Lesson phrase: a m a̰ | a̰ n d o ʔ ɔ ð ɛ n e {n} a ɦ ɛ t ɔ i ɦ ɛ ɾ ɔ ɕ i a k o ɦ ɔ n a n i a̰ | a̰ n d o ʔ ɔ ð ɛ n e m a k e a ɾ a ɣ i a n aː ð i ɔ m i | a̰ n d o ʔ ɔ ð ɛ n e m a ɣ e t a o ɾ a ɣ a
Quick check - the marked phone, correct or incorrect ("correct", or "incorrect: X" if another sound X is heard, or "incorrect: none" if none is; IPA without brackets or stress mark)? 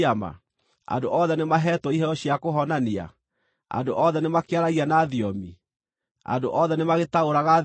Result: incorrect: m